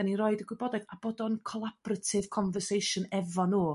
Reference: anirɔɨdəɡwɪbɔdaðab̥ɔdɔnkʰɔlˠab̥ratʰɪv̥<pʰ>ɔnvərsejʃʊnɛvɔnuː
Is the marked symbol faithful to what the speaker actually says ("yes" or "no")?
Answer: no